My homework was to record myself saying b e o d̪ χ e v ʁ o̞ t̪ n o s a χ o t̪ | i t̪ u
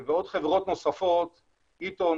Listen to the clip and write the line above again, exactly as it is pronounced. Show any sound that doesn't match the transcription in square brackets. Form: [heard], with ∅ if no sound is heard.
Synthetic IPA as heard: [v] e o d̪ χ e v ʁ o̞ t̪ n o s a [f] o t̪ | i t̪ [o]